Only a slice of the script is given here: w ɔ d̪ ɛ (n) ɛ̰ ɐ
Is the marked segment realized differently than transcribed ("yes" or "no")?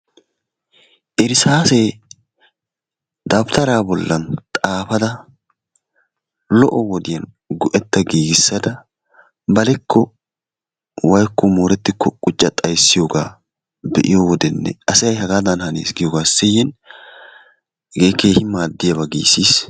yes